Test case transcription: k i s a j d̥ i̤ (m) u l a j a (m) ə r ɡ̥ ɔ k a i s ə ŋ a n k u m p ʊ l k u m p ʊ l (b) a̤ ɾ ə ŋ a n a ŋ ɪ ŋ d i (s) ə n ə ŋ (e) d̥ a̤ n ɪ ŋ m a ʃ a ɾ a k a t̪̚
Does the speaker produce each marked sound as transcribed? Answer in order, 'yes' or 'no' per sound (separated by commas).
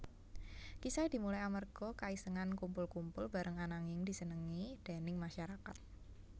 yes, yes, yes, yes, no